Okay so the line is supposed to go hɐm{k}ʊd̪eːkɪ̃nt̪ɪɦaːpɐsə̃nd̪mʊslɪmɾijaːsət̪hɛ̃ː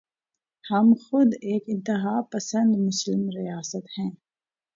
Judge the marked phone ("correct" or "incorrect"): incorrect